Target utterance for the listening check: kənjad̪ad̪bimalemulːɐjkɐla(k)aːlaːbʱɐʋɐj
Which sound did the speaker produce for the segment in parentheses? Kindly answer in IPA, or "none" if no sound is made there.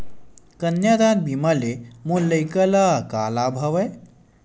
k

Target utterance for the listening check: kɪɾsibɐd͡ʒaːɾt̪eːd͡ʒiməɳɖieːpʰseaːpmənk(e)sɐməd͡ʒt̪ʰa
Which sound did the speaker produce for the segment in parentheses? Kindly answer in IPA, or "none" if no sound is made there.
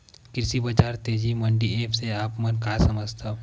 a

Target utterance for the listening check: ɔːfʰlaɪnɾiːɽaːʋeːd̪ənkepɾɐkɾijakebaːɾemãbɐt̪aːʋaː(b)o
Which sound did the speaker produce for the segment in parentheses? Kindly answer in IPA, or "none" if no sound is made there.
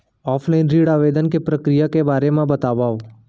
none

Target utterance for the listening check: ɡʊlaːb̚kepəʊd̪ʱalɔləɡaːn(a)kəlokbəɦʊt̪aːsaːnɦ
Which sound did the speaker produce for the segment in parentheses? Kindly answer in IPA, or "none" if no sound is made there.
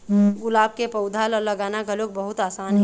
a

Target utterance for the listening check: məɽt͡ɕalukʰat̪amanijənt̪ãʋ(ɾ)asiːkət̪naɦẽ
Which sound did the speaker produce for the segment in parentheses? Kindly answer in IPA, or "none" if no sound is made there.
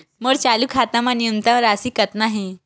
ɾ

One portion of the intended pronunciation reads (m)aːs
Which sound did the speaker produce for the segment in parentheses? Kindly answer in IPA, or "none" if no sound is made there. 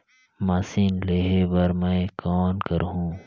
m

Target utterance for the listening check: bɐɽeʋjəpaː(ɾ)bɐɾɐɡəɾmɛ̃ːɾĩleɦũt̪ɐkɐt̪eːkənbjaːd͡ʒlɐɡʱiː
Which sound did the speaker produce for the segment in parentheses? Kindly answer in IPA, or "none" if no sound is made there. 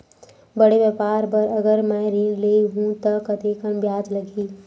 ɾ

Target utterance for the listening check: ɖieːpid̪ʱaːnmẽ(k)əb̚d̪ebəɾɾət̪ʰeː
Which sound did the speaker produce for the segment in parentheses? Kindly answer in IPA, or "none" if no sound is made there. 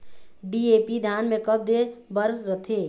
k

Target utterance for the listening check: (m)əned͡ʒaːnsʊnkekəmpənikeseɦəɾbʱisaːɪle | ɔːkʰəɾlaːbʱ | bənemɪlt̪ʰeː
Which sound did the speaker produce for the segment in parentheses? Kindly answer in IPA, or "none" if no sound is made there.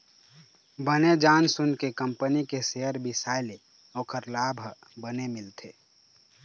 b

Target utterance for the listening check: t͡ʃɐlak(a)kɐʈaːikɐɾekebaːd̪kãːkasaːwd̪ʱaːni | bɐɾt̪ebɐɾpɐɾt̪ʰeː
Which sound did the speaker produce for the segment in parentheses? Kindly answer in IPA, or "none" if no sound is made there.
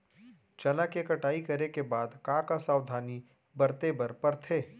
e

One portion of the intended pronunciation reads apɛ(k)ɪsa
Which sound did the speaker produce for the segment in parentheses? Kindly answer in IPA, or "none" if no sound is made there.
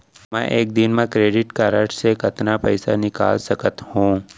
none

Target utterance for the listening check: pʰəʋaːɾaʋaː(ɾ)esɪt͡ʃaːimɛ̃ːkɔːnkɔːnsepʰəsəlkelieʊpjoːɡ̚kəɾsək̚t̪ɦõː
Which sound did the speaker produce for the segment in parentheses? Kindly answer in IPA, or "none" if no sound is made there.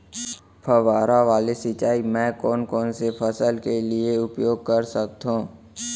l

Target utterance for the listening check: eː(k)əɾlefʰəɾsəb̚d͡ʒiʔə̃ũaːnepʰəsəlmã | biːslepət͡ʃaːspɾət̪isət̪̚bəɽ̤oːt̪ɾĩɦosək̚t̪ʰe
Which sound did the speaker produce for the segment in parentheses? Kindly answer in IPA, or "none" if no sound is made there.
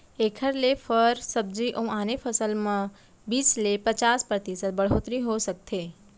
kʰ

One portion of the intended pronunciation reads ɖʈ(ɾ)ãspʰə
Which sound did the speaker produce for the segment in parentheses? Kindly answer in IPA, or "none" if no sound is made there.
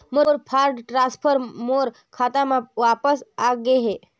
ɾ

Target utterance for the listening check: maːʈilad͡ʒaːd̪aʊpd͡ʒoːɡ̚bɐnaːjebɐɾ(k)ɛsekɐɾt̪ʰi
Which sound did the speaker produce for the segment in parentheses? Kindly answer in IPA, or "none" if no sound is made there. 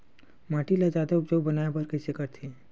k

